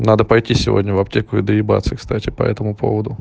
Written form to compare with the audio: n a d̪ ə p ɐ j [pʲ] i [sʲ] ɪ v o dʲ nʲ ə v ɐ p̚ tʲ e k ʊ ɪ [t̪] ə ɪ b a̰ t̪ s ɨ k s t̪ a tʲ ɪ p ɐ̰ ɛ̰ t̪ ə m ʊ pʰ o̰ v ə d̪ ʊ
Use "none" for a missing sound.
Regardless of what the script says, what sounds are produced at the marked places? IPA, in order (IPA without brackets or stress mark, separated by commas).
tʲ, sʲ, d̪